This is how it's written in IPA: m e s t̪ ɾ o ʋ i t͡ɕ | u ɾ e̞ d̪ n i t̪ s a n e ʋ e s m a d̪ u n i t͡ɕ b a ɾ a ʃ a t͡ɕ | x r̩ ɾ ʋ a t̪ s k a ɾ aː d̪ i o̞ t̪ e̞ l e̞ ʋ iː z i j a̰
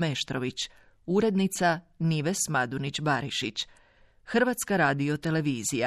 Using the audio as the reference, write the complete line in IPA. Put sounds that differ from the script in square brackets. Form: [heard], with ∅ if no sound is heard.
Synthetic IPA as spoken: m e [ʃ] t̪ ɾ o ʋ i t͡ɕ | u ɾ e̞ d̪ n i t̪ s a n [i] ʋ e s m a d̪ u n i t͡ɕ b a ɾ [i] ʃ [i] t͡ɕ | x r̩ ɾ ʋ a t̪ s k a ɾ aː d̪ i o̞ t̪ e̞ l e̞ ʋ iː z i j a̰